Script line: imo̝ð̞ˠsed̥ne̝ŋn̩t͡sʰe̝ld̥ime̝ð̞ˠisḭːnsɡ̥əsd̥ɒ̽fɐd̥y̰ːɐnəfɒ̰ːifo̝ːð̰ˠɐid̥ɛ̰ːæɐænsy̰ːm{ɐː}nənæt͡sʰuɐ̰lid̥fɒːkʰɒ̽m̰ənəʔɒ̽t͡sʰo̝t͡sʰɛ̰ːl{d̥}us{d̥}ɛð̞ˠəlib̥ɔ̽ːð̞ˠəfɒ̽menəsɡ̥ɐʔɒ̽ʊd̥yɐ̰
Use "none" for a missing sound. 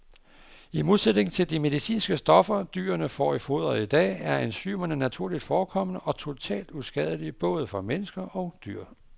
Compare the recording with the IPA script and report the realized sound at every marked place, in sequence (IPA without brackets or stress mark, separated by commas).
ɐ, d̥, ɡ̥